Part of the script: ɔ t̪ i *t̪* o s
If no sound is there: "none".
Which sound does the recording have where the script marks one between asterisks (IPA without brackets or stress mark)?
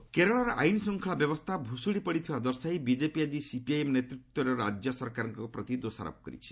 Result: d̪